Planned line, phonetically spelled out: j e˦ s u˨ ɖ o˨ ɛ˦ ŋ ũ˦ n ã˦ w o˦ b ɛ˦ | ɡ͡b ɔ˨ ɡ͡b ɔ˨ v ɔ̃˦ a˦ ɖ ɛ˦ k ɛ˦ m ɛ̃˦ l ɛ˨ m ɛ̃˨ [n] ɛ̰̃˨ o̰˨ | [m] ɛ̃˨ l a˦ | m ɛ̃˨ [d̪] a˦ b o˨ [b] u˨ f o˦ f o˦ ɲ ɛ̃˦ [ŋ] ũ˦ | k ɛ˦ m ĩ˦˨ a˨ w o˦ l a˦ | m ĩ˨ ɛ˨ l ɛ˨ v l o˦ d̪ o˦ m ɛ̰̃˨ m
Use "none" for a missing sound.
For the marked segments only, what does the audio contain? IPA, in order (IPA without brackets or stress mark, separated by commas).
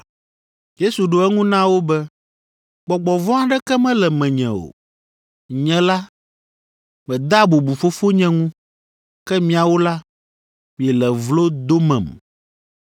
ɲ, ɲ, d̪, b, ŋ